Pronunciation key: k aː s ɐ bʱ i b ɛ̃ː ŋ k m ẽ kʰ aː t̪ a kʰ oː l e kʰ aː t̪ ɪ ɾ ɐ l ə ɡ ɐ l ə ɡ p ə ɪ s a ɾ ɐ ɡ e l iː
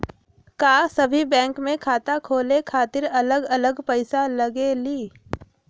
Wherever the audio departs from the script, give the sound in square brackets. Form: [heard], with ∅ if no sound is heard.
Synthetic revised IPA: k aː s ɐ bʱ i b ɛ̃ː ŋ k m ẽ kʰ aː t̪ a kʰ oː l e kʰ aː t̪ ɪ ɾ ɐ l ə ɡ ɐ l ə ɡ p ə ɪ s a [l] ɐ ɡ e l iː

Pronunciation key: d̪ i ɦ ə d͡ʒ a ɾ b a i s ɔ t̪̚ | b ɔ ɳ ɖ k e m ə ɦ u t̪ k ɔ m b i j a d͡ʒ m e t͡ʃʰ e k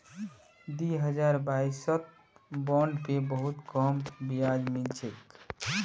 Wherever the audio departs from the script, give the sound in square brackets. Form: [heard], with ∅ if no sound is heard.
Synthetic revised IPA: d̪ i ɦ ə d͡ʒ a ɾ b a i s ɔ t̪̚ | b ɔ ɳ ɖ [p] e [b] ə ɦ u t̪ k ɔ m b i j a d͡ʒ m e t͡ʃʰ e k

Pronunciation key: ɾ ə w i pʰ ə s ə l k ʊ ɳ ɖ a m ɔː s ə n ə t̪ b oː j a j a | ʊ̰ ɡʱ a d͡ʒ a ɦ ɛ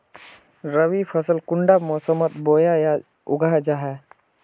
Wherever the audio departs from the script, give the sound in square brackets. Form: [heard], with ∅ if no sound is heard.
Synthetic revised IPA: ɾ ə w i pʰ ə s ə l k ʊ ɳ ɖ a m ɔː s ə [m] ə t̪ b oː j a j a | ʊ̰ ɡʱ a d͡ʒ a ɦ ɛ

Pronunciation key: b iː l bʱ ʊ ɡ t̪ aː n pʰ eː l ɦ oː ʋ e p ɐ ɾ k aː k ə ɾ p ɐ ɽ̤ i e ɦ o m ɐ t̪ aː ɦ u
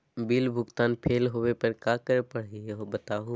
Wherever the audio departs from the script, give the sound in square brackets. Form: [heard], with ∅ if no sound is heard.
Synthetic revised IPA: b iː l bʱ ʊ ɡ t̪ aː n pʰ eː l ɦ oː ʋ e p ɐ ɾ k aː k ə ɾ p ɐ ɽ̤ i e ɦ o [b] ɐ t̪ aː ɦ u

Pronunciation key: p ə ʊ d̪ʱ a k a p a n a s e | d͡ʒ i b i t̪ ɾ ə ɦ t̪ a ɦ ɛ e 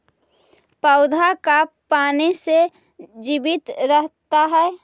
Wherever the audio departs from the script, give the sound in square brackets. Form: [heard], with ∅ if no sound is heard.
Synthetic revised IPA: p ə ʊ d̪ʱ a k a p a n [i] s e | d͡ʒ i b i t̪ ɾ ə ɦ t̪ a ɦ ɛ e

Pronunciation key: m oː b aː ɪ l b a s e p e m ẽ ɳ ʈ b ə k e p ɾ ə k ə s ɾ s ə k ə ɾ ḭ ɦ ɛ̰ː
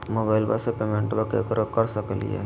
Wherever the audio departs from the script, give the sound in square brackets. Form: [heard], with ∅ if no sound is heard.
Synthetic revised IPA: m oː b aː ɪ l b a s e p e m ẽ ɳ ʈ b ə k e [k] ɾ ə k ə [∅] ɾ s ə k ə [l] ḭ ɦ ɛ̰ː

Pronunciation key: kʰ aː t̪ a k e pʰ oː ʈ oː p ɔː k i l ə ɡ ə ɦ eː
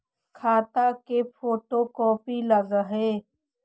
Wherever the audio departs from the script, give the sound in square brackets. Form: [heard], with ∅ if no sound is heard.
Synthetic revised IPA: kʰ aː t̪ a k e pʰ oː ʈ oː [k] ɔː [p] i l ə ɡ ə ɦ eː

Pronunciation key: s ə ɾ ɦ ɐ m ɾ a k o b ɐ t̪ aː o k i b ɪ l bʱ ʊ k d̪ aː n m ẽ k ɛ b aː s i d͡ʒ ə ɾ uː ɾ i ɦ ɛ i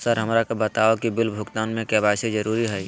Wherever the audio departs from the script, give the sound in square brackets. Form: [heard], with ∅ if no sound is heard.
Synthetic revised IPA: s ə ɾ ɦ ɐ m ɾ a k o b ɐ t̪ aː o k i b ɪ l bʱ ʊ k [t̪] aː n m ẽ k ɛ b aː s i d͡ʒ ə ɾ uː ɾ i ɦ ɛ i

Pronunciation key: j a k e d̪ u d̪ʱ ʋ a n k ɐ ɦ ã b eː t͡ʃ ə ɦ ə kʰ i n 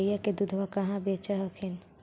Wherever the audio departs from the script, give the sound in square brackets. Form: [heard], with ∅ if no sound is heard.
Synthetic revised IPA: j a k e d̪ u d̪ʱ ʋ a [∅] k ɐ ɦ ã b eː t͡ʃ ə ɦ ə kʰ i n

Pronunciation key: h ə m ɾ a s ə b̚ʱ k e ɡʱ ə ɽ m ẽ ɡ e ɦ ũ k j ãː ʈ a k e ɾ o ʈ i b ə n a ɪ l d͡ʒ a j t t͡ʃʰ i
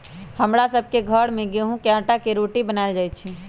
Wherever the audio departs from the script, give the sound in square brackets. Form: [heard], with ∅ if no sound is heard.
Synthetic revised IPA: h ə m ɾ a s ə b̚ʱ k e ɡʱ ə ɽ m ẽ ɡ e ɦ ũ k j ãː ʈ a k e ɾ o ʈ i b ə n a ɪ l d͡ʒ a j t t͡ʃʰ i

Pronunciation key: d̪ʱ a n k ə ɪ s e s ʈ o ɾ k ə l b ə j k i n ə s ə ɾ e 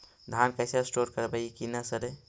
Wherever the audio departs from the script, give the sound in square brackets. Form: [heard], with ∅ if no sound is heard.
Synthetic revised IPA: d̪ʱ a n k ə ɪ s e s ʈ o ɾ k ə [ɾ] b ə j k i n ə s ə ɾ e

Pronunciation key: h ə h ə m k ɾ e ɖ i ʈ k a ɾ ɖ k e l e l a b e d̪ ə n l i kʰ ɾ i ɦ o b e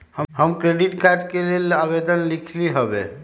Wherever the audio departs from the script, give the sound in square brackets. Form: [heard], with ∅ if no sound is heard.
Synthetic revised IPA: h ə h ə m k ɾ e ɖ i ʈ k a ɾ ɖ k e l e l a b e d̪ ə n l i kʰ [l] i ɦ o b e

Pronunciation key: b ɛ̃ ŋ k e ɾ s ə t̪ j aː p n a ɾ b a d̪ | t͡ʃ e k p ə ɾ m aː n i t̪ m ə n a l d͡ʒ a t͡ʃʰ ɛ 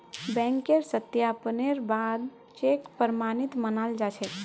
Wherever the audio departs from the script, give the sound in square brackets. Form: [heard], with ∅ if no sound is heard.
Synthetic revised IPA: b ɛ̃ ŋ k e ɾ s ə t̪ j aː p n [e] ɾ b a d̪ | t͡ʃ e k p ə ɾ m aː n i t̪ m ə n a l d͡ʒ a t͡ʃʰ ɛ

